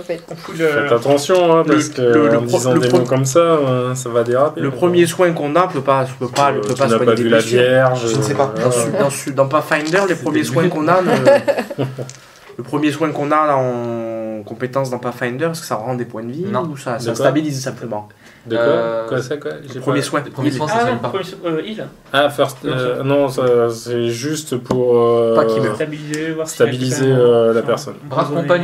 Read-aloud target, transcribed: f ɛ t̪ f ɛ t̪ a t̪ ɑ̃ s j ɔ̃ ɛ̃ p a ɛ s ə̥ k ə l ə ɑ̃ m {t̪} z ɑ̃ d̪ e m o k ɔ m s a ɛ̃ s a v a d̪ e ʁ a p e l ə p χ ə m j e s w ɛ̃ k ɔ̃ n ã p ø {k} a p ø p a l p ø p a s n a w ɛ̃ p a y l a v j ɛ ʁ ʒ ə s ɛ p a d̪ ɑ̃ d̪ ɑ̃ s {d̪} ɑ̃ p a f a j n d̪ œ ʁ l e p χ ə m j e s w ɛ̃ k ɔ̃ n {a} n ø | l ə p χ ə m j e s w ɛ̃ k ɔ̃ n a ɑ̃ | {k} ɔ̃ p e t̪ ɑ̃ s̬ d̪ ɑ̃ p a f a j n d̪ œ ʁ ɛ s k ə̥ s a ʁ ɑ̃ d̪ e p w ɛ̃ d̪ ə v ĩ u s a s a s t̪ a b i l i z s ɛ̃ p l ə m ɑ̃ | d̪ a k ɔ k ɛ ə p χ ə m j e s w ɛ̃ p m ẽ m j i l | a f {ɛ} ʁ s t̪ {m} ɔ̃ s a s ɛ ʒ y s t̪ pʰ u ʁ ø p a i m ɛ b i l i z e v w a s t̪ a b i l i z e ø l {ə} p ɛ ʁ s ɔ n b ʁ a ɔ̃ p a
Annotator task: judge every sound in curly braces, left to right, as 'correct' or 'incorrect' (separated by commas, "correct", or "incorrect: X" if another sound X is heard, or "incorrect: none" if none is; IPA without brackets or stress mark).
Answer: incorrect: d̪, incorrect: p, correct, correct, correct, correct, incorrect: n, incorrect: a